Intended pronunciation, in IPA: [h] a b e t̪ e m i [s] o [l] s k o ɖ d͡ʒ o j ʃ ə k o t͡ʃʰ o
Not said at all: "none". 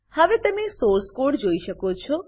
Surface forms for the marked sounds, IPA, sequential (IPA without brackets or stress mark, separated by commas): h, s, ɾ